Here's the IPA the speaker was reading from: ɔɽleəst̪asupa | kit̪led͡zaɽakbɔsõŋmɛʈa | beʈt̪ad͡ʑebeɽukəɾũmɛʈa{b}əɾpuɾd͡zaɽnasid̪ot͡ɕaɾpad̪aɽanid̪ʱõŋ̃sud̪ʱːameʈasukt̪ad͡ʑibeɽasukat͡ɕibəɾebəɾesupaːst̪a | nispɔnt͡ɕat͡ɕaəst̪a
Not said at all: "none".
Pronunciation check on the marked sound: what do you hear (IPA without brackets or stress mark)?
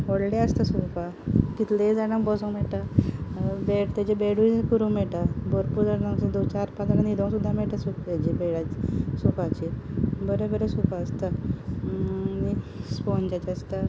b